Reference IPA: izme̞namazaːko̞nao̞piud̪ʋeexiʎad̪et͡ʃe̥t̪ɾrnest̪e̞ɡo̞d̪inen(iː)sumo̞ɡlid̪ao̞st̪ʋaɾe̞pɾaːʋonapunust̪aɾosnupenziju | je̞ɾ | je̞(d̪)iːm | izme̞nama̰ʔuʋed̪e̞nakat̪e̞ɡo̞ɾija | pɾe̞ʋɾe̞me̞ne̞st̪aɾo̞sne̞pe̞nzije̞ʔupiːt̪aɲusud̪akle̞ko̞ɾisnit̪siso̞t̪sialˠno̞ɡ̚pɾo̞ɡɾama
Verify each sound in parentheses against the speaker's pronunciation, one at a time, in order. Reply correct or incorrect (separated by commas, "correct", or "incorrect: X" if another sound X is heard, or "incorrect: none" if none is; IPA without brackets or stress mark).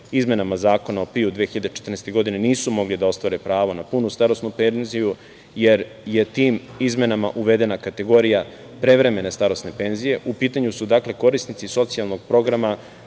correct, incorrect: t̪